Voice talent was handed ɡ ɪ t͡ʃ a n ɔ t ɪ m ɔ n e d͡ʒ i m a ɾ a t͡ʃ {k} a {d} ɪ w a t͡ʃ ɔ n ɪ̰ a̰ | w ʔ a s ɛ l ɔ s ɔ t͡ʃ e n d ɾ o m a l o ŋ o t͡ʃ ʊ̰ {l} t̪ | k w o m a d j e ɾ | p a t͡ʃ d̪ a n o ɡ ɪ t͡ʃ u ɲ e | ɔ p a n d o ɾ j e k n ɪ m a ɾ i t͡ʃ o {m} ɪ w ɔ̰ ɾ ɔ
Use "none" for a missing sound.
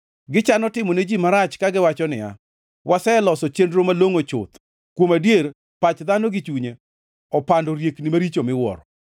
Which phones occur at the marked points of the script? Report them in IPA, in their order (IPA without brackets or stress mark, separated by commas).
k, ɡ, none, m